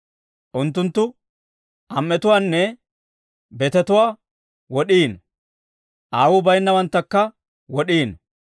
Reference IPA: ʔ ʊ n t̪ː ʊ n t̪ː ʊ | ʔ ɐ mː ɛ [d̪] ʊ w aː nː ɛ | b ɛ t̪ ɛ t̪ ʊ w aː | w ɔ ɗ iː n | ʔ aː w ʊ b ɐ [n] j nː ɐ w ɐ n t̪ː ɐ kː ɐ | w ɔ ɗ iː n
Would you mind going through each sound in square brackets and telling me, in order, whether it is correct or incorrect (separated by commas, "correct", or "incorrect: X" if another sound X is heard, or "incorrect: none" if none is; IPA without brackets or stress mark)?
incorrect: t̪, incorrect: none